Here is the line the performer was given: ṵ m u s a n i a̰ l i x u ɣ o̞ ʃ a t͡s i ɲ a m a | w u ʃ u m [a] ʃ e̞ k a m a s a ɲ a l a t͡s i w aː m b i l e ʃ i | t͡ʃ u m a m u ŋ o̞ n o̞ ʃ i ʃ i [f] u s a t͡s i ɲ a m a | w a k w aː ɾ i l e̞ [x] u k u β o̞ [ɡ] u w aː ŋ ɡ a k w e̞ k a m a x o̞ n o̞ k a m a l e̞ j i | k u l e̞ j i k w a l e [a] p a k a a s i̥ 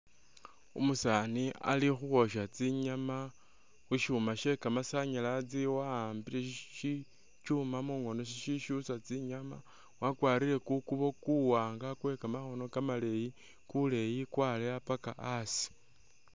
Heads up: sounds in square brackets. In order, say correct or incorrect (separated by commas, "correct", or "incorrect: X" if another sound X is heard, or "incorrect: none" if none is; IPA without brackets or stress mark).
correct, incorrect: ʃ, incorrect: k, incorrect: k, correct